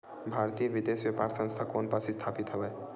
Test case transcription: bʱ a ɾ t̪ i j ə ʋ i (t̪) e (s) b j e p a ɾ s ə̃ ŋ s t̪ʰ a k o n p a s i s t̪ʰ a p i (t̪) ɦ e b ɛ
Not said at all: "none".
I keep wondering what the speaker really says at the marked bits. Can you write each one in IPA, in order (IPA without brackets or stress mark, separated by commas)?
d̪, s, t̪